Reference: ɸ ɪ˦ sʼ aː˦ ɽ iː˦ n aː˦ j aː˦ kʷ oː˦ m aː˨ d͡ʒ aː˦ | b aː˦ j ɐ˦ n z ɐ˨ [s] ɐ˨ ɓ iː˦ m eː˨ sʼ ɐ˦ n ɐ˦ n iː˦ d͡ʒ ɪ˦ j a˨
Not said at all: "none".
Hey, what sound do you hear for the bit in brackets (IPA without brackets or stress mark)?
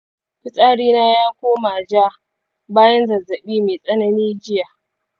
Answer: z